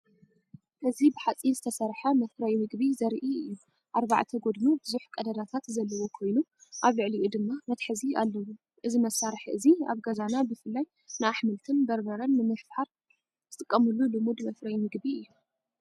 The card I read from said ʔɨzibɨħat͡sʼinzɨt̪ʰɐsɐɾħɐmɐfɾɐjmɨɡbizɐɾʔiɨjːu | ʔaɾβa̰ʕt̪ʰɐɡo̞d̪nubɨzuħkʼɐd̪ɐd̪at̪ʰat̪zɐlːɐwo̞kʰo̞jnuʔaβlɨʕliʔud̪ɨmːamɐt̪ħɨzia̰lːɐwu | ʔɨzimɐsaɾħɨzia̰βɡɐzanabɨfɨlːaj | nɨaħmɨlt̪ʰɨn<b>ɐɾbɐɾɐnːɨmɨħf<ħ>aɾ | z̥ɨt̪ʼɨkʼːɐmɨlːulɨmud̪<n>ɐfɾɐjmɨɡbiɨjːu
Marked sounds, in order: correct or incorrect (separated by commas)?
correct, correct, incorrect